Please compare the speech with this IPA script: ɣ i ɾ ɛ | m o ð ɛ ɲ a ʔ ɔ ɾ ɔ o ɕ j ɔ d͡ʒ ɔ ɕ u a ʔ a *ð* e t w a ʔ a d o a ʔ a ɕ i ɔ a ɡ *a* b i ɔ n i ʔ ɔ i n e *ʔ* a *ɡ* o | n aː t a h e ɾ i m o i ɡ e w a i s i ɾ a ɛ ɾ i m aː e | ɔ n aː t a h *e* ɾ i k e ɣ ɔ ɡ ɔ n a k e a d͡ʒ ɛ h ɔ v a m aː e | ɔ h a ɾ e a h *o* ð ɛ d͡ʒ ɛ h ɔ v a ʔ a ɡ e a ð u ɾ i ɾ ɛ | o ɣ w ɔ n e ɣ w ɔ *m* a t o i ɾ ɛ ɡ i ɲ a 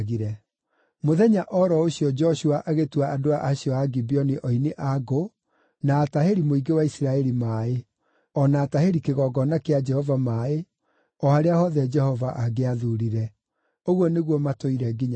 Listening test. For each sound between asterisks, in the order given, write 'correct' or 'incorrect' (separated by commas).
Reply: incorrect, incorrect, correct, correct, correct, incorrect, correct